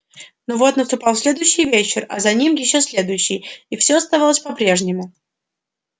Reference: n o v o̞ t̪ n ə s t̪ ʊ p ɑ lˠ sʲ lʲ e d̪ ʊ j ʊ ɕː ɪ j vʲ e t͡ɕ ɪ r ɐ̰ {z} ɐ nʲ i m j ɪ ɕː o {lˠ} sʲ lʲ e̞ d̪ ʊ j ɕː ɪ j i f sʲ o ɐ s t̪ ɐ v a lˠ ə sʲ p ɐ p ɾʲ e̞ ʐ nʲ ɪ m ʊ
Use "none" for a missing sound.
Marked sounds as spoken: z, none

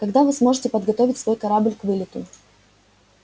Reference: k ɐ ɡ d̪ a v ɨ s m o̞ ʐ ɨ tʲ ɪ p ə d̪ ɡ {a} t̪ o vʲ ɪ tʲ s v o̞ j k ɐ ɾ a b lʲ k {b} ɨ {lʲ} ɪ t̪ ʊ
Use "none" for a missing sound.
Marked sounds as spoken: ɐ, v, lʲ

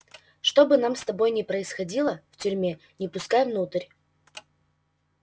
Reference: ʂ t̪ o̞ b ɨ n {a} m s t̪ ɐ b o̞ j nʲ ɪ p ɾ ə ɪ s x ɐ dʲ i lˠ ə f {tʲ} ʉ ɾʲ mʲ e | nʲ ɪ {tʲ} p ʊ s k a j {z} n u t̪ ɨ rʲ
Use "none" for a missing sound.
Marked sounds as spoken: a, tʲ, none, v

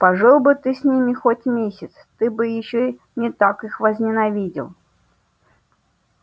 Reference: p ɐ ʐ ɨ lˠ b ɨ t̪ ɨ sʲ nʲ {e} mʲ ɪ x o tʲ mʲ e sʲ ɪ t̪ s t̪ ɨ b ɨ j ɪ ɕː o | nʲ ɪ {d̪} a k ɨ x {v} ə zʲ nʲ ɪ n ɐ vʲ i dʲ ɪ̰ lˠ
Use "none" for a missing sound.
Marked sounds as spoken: i, t̪, v

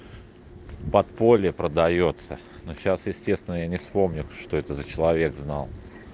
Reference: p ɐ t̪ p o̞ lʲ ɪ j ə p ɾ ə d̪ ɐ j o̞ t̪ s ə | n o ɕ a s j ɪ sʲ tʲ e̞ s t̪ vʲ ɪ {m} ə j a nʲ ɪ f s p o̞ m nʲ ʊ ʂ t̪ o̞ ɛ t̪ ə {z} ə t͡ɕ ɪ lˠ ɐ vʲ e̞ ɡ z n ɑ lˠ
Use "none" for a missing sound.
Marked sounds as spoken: n, z

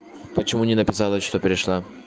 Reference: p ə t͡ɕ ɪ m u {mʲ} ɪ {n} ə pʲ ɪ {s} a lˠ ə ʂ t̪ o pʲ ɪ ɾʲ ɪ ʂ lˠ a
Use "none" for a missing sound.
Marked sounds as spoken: nʲ, n, s

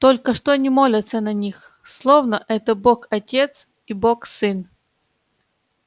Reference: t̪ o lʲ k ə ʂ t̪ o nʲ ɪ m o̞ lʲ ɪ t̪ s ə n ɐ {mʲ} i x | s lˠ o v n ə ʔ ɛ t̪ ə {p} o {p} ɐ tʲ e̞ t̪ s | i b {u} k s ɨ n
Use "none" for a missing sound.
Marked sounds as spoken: nʲ, b, k, o

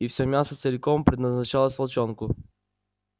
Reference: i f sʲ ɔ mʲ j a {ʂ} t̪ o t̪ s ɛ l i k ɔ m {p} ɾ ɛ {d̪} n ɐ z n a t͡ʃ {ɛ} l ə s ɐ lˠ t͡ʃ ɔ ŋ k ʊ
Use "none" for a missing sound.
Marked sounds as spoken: s, p, d̪, a

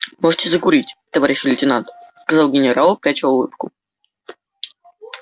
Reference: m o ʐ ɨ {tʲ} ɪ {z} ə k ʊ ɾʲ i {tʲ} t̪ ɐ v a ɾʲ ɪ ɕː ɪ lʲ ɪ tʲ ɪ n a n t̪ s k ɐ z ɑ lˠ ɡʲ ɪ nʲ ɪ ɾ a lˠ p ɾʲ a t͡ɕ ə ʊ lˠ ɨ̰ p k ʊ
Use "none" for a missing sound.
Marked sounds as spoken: tʲ, z, tʲ

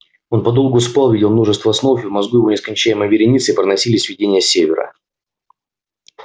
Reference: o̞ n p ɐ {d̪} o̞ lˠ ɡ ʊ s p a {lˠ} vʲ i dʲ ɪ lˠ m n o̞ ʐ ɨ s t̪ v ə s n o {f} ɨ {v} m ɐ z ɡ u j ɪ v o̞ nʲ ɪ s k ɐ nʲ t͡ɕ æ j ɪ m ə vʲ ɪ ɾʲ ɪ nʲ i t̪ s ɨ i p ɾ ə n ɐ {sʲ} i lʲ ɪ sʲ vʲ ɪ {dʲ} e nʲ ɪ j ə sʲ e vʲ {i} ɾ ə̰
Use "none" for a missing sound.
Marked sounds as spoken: d̪, lˠ, f, v, sʲ, dʲ, ɪ

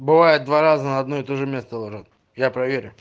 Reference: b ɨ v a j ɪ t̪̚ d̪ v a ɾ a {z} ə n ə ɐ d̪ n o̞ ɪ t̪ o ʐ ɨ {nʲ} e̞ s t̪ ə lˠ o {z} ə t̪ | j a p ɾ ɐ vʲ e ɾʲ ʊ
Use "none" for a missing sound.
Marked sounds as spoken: z, mʲ, ʐ

